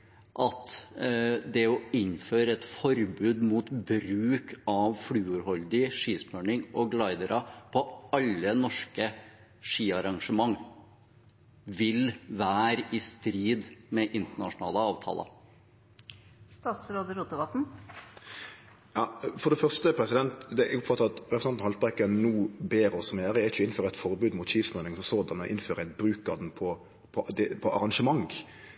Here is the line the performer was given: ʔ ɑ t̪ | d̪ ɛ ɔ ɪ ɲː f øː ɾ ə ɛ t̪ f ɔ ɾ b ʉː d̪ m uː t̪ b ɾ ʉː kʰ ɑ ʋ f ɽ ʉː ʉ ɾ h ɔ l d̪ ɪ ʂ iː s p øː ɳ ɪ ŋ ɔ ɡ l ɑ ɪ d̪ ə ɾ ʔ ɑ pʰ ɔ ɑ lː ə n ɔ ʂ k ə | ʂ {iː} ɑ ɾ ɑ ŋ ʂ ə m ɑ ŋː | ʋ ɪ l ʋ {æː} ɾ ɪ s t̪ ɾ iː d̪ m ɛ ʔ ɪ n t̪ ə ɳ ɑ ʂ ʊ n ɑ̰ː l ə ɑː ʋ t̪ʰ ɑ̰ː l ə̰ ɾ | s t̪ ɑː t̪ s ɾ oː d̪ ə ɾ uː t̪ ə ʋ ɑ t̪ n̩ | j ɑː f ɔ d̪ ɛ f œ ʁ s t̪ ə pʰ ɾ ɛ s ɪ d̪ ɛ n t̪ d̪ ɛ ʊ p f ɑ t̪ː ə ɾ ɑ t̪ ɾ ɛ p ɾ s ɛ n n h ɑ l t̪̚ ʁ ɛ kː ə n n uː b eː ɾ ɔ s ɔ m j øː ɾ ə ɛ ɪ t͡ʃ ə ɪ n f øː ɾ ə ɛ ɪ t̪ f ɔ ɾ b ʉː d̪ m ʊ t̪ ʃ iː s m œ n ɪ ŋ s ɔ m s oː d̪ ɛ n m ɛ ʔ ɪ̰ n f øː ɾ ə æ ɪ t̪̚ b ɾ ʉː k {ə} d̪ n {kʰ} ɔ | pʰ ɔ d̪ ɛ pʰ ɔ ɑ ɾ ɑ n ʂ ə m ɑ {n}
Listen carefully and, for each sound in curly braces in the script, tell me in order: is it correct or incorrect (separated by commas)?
correct, correct, incorrect, incorrect, incorrect